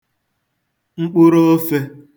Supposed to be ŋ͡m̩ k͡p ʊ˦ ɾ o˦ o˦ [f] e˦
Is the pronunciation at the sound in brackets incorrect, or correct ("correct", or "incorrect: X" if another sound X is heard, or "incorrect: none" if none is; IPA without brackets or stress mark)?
correct